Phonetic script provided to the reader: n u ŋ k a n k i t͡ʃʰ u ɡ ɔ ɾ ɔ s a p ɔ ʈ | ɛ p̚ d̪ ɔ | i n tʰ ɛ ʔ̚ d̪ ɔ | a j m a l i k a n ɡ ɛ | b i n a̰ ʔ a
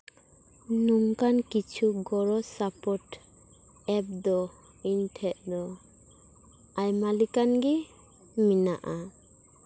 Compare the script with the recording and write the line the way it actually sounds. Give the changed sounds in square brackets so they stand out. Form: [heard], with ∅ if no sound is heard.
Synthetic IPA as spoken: n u ŋ k a n k i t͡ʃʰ u ɡ ɔ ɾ ɔ s a p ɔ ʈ | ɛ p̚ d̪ ɔ | i n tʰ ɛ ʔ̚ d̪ ɔ | a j m a l i k a n ɡ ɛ | [m] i n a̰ ʔ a